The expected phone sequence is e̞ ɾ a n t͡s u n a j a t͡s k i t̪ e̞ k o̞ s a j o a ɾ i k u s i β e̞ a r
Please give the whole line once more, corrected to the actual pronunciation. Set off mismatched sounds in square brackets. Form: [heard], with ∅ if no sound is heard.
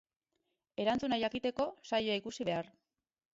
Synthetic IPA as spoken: e̞ ɾ a n t͡s u n a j a [∅] k i t̪ e̞ k o̞ s a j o a [∅] i k u s i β e̞ a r